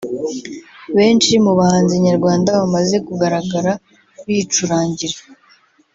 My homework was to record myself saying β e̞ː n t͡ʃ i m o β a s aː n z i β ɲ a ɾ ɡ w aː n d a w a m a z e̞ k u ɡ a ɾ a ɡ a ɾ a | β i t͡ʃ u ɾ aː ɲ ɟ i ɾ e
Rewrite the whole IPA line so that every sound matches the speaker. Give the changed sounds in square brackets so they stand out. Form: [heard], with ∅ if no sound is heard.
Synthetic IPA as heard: β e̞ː n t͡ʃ i m [u] β a [h] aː n z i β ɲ a ɾ ɡ w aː n d a [β] a m a z e̞ k u ɡ a ɾ a ɡ a ɾ a | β i t͡ʃ u ɾ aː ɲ ɟ i ɾ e